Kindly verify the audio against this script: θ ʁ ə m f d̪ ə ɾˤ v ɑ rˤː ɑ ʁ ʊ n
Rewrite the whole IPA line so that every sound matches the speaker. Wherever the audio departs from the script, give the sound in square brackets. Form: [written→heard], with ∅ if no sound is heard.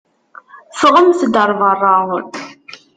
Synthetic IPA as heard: [θ→f] ʁ ə m [f→θ] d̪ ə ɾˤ v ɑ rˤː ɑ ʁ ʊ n